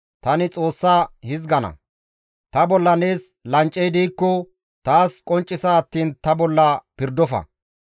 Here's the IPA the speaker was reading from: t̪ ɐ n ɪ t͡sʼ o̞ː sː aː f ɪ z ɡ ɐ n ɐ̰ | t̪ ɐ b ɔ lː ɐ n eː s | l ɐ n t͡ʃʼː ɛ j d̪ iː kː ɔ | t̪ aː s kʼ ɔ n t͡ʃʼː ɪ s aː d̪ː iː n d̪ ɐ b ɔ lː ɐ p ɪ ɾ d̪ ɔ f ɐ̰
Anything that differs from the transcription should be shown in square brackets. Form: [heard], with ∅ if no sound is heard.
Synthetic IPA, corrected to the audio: t̪ ɐ n ɪ t͡sʼ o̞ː sː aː [h] ɪ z ɡ ɐ n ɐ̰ | t̪ ɐ b ɔ lː ɐ n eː s | l ɐ n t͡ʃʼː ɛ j d̪ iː kː ɔ | t̪ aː s kʼ ɔ n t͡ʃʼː ɪ s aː [t̪ː] iː n [t̪] ɐ b ɔ lː ɐ p ɪ ɾ d̪ ɔ f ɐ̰